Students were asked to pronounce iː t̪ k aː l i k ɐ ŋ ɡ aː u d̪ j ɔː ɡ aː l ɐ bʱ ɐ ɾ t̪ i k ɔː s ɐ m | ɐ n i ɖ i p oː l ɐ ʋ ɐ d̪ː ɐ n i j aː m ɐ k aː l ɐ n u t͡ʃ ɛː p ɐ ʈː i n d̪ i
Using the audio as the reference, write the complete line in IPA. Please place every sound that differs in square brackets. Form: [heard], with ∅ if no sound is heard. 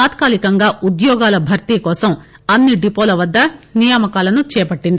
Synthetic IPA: [aː] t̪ k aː l i k ɐ ŋ ɡ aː u d̪ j ɔː ɡ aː l ɐ bʱ ɐ ɾ t̪ i k ɔː s ɐ m | ɐ [nː] i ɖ i p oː l ɐ ʋ ɐ d̪ː ɐ n i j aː m ɐ k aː l ɐ n u t͡ʃ ɛː p ɐ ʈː i n d̪ i